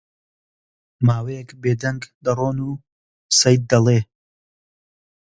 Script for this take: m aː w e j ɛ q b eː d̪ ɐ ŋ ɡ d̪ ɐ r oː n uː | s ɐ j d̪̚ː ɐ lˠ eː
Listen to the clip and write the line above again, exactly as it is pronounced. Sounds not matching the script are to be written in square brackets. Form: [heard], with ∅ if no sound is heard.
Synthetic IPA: m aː w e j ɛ [k] b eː d̪ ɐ ŋ ɡ d̪ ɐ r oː n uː | s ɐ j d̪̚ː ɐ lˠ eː